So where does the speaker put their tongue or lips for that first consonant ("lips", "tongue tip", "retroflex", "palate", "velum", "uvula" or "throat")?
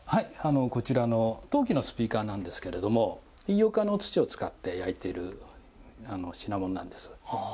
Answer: throat